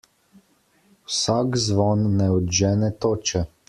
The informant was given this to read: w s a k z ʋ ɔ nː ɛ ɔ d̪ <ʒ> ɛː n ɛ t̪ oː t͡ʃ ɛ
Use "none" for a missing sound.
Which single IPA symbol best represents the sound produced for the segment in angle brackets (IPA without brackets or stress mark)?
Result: ʒ